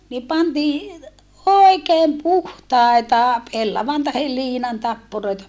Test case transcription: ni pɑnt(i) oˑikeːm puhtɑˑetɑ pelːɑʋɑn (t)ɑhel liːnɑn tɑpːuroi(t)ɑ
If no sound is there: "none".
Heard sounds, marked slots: iː, t, t

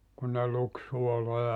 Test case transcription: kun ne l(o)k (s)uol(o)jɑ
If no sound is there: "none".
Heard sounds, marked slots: u, s, o

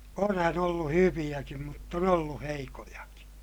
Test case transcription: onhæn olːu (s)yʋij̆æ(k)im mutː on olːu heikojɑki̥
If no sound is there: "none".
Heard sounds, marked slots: h, k

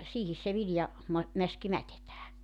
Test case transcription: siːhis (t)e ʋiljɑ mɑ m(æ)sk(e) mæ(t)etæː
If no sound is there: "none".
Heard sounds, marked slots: s, æ, i, t

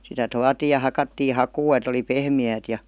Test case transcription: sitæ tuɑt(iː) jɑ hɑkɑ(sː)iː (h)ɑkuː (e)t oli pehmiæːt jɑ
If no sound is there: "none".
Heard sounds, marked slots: iː, tː, h, e

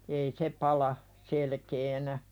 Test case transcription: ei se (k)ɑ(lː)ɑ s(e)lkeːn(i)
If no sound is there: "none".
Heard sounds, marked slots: p, l, e, æ

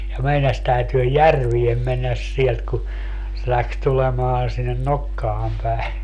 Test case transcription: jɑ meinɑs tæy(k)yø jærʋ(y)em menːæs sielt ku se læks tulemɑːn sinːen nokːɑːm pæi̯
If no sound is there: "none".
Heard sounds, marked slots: t, i

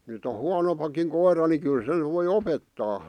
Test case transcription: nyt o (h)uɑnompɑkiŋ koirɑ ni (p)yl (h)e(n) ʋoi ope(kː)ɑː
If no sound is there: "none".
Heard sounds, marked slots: h, k, s, n, tː

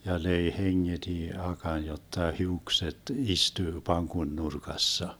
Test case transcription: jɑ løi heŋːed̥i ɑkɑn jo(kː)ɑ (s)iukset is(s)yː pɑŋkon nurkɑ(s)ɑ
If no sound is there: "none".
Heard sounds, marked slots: tː, h, t, sː

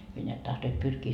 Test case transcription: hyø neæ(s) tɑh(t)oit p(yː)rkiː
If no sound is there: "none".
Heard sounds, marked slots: t, t, y

